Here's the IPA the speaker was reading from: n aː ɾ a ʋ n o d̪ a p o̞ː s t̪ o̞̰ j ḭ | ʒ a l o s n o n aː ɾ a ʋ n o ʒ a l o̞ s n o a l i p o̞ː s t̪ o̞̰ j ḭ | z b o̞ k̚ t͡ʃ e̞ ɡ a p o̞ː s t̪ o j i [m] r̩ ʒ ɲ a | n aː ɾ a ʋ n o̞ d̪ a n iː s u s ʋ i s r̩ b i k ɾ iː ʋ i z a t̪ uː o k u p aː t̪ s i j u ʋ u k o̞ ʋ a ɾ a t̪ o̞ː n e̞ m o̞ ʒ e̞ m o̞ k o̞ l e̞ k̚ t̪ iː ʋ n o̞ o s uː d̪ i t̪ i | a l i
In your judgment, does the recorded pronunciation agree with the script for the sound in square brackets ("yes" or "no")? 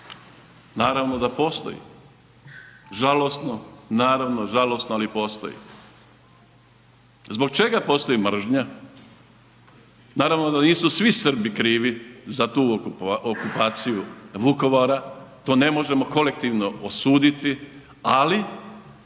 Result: yes